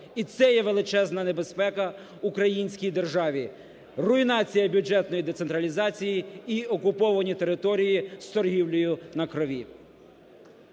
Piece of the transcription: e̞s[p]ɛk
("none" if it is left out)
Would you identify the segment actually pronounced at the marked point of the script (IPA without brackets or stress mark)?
p